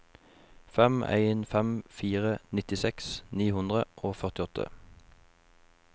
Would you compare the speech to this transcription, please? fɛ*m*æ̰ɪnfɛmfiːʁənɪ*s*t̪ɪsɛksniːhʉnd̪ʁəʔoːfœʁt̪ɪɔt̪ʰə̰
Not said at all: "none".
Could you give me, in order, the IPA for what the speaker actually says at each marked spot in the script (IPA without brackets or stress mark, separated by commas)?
m, none